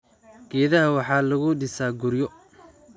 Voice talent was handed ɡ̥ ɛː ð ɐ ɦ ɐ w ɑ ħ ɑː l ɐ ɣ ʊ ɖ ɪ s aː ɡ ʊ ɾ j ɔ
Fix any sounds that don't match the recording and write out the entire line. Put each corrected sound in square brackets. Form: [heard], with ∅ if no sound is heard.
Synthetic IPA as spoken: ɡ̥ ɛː ð ɐ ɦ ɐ w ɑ ħ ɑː l ɐ ɣ ʊ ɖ ɪ s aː ɡ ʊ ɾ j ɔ